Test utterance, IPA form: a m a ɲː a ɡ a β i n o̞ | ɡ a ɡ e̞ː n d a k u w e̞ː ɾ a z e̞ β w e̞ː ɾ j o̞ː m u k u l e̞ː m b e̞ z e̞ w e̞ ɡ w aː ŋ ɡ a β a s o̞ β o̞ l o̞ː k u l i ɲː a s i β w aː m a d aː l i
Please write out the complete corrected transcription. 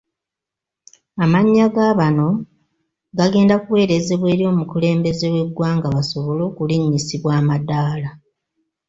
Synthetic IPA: a m a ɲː a ɡ a β a n o̞ | ɡ a ɡ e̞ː n d a k u w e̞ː ɾ e z e̞ β w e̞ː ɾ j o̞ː m u k u l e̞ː m b e̞ z e̞ w e̞ ɡ w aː ŋ ɡ a β a s o̞ β o̞ l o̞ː k u l i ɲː i s i β w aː m a d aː l a